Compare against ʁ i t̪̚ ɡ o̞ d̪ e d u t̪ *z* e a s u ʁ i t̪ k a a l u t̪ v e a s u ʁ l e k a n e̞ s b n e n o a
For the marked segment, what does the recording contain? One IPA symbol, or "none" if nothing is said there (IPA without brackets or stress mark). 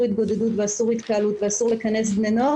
v